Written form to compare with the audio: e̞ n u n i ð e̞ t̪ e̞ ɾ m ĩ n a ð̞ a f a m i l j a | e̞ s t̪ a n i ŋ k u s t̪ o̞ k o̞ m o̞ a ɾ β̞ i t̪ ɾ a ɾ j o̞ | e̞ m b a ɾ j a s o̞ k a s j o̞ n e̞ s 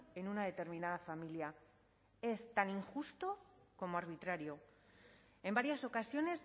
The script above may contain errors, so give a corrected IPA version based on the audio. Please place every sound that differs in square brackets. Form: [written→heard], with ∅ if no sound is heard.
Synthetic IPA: e̞ n u n [i→a] ð e̞ t̪ e̞ ɾ m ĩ n a ð̞ a f a m i l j a | e̞ s t̪ a n i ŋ [k→x] u s t̪ o̞ k o̞ m o̞ a ɾ β̞ i t̪ ɾ a ɾ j o̞ | e̞ m b a ɾ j a s o̞ k a s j o̞ n e̞ s